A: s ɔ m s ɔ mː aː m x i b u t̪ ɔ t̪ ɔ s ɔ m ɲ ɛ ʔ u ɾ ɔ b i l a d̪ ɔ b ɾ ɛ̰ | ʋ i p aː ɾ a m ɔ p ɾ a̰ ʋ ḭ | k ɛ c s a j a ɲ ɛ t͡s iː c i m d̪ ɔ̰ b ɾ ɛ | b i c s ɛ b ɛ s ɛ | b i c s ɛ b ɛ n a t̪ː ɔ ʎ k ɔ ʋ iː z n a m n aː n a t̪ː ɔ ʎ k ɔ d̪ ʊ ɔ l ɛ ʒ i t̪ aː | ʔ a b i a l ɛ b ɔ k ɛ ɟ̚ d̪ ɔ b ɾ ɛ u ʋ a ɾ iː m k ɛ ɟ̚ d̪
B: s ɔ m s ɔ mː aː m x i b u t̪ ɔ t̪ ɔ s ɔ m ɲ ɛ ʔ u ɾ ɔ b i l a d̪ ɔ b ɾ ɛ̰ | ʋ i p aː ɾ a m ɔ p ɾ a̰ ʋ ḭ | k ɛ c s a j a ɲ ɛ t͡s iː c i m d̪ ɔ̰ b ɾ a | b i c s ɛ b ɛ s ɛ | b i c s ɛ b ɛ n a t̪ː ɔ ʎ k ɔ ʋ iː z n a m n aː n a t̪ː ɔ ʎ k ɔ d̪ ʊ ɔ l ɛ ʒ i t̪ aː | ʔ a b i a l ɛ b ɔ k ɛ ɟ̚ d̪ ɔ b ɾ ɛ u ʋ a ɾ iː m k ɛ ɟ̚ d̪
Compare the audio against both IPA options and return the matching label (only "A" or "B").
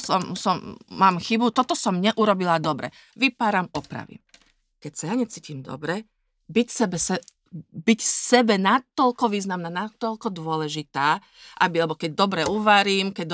A